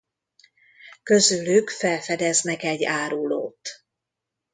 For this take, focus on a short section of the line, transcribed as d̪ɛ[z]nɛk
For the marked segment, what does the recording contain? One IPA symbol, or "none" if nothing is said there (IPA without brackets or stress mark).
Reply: z